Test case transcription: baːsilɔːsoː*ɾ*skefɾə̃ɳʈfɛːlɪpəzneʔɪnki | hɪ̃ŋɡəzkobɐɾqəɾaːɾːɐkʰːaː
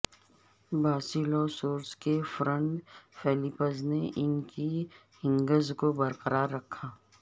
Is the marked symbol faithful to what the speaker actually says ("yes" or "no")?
yes